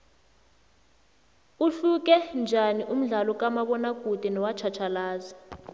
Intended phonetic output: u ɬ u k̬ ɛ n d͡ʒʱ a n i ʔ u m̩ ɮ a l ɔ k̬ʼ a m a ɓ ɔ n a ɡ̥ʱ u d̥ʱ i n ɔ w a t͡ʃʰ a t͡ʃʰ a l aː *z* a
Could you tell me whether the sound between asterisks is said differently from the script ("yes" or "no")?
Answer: no